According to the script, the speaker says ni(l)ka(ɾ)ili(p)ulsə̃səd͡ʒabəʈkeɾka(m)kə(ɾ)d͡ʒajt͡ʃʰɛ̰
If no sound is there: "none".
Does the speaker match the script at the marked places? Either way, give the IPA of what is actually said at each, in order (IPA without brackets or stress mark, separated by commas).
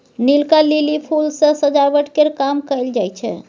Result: l, l, pʰ, m, l